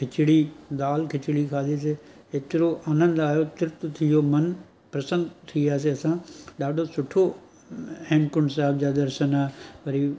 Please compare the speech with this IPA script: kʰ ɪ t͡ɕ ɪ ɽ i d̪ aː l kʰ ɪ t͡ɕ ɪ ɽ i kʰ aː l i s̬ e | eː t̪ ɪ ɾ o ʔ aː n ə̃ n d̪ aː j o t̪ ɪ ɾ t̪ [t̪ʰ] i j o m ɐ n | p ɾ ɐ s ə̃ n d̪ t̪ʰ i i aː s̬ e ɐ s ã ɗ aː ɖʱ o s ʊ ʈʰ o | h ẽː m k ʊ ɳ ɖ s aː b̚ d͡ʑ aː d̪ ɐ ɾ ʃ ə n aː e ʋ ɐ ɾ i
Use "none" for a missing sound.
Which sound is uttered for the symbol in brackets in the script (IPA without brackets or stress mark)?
t̪ʰ